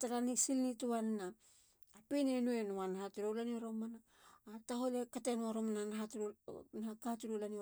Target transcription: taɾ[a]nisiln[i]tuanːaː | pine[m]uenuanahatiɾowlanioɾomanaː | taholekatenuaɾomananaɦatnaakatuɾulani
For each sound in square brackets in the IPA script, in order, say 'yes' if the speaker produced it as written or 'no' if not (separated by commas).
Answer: yes, yes, no